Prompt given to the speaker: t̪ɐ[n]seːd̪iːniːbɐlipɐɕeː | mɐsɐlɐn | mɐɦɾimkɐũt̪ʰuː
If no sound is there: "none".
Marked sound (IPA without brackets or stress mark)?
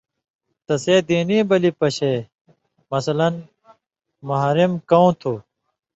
none